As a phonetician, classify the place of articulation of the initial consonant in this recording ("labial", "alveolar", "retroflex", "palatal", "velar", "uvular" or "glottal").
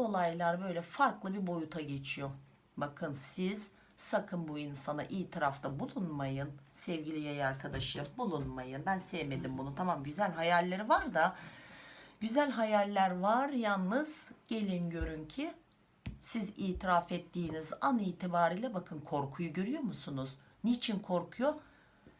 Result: alveolar